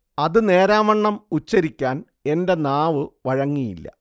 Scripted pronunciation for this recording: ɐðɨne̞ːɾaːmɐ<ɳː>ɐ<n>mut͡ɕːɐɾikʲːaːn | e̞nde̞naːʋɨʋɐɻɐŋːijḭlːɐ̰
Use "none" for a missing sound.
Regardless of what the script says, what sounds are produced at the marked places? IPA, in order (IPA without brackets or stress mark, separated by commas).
ɳː, none